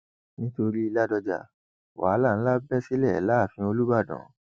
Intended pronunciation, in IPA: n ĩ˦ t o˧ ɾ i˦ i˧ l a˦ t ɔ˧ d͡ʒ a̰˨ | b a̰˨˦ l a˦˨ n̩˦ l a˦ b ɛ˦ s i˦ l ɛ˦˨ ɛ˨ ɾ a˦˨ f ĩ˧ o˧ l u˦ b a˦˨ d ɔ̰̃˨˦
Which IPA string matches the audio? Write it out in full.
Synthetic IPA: n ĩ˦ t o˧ ɾ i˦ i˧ l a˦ d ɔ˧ d͡ʒ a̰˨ | w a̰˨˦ l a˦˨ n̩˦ l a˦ b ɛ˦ s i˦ l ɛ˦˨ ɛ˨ l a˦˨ f ĩ˧ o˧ l u˦ b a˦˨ d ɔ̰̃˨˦